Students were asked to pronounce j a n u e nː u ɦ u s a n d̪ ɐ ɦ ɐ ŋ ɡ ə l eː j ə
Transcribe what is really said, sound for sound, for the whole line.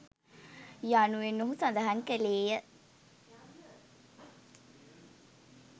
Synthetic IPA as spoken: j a n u e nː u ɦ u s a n d̪ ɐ ɦ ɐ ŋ k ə l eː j ə